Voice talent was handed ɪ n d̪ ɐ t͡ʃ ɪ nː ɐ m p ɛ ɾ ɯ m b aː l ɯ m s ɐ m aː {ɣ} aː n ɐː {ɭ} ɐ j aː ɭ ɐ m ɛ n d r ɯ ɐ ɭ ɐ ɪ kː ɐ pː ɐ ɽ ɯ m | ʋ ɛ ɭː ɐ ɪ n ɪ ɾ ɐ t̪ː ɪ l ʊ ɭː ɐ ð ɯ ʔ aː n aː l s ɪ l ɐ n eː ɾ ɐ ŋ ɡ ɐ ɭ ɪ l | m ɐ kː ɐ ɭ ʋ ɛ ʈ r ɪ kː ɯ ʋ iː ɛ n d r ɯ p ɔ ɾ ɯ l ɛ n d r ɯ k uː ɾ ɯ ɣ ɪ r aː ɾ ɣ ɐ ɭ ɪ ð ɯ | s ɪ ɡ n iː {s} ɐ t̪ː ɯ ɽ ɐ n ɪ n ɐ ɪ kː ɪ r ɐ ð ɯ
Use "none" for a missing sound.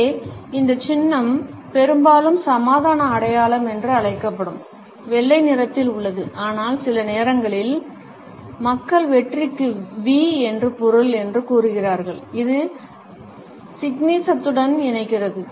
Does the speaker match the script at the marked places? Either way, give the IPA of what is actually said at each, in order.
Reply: ð, ɽ, s

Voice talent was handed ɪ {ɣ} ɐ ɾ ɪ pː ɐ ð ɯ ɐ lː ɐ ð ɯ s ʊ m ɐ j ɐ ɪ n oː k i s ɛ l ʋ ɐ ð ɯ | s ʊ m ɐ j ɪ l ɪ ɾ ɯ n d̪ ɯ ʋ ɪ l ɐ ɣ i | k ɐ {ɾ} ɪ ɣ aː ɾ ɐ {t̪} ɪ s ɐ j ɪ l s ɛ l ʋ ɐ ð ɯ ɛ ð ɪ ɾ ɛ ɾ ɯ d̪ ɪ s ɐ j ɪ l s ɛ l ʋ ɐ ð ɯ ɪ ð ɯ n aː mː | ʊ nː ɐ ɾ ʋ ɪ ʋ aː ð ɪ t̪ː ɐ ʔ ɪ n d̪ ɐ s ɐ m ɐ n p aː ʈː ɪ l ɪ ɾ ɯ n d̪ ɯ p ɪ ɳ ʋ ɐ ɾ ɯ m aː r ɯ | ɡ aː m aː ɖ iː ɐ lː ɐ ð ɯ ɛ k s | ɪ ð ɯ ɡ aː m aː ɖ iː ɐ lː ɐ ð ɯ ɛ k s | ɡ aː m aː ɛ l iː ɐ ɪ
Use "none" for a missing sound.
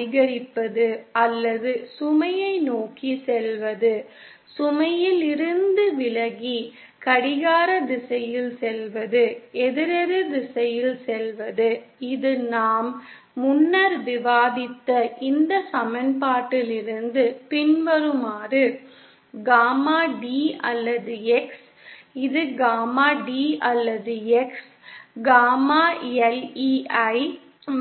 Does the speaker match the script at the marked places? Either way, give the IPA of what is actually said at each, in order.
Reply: ɣ, ɽ, d̪

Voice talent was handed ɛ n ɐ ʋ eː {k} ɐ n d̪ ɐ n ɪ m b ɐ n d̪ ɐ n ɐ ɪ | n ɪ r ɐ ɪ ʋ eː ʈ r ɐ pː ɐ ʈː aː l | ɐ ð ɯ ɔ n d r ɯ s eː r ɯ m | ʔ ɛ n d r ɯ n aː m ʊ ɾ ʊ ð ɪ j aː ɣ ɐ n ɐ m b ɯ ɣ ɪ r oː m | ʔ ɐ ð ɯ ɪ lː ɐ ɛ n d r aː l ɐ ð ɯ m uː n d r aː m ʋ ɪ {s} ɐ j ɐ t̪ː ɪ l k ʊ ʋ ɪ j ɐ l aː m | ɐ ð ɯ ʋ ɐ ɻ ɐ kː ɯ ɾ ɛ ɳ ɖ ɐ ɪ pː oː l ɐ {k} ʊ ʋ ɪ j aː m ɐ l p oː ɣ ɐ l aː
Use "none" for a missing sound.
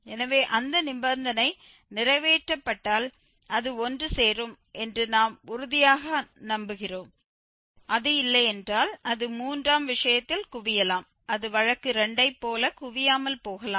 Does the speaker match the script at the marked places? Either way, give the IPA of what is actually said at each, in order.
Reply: ʔ, ʂ, k

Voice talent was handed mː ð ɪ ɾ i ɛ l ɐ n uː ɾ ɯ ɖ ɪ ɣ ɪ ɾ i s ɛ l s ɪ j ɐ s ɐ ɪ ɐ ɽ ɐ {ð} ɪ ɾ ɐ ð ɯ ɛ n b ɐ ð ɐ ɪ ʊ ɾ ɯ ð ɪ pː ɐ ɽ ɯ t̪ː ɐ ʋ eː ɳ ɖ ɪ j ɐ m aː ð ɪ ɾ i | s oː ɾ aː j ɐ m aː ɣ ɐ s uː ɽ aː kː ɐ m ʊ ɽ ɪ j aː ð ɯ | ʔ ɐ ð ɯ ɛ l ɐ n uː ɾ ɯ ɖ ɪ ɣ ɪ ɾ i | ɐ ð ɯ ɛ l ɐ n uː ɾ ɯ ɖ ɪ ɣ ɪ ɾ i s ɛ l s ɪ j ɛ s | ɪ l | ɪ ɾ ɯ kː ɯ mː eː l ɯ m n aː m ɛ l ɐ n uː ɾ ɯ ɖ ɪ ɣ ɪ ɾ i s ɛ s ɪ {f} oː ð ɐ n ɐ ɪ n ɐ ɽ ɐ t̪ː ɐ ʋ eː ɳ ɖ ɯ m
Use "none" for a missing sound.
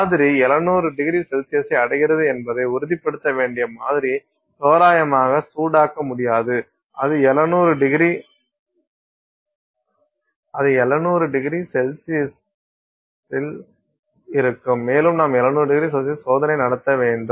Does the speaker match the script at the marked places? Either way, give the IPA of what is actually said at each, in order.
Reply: ɣ, s

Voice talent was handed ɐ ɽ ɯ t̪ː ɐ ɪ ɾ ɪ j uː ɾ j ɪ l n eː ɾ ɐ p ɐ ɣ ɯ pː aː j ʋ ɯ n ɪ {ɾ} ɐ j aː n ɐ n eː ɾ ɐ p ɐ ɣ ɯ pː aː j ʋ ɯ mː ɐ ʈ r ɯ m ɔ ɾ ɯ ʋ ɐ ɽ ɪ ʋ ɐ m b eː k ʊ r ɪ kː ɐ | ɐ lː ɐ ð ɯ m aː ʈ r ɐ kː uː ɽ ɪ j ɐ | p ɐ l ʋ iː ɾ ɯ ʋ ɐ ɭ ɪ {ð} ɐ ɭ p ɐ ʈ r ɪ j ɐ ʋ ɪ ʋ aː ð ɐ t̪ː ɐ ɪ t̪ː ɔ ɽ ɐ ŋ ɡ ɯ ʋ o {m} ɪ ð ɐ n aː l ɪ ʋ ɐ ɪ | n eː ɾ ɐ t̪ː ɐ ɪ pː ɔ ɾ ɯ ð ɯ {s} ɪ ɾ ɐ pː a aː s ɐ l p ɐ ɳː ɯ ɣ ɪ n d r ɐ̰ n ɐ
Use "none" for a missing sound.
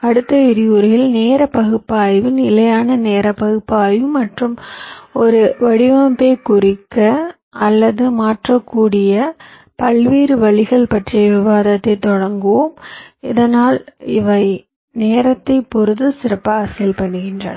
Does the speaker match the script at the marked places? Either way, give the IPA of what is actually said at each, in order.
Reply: l, ɣ, m, s

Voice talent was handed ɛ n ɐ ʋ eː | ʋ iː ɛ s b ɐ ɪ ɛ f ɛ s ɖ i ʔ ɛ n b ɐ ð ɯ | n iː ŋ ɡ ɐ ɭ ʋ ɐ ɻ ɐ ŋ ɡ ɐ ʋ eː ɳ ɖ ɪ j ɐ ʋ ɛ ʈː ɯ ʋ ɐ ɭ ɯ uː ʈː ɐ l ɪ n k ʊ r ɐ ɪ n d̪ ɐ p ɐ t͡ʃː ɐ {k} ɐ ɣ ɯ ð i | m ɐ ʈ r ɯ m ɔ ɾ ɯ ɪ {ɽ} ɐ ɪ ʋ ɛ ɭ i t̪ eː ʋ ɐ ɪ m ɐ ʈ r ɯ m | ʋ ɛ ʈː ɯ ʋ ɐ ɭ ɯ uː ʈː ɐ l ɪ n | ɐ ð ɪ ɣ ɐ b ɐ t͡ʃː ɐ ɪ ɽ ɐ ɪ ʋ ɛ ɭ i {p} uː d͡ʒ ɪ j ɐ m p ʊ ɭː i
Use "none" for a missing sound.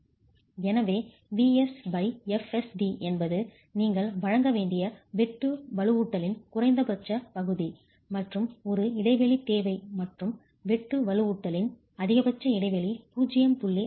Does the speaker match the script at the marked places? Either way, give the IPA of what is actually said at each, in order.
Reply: p, ɽ, p

